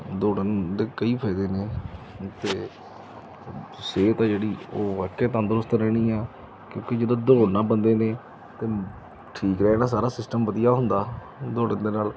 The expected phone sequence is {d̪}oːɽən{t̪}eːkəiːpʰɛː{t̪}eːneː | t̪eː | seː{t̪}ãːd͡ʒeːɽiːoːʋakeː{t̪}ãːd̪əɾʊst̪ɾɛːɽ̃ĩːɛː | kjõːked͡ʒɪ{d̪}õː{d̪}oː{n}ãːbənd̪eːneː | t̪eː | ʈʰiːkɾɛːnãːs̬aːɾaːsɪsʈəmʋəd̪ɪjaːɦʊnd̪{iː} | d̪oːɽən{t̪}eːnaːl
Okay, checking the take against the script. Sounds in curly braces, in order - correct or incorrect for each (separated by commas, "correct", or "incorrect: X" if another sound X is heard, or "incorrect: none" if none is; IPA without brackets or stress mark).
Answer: correct, incorrect: d̪, incorrect: d̪, correct, correct, correct, correct, correct, incorrect: aː, incorrect: d̪